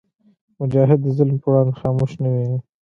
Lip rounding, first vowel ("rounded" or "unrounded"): rounded